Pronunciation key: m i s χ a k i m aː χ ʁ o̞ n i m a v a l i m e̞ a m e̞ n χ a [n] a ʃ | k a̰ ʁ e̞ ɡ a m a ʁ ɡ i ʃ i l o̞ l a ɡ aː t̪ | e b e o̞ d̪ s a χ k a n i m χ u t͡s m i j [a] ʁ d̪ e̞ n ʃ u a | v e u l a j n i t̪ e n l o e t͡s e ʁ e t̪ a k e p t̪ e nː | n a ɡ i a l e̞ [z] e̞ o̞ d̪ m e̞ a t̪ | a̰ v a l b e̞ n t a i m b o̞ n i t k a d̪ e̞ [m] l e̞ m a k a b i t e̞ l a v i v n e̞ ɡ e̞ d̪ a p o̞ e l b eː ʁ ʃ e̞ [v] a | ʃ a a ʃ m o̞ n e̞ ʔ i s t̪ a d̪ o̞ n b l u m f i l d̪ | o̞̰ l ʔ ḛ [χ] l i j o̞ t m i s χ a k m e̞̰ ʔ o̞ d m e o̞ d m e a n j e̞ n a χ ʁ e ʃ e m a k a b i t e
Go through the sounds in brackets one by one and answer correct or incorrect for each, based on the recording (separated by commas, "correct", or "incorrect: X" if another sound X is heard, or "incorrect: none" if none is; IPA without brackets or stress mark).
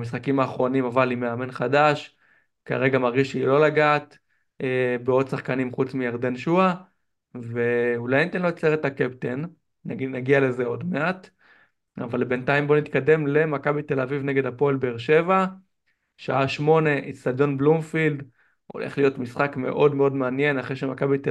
incorrect: d, correct, correct, correct, correct, correct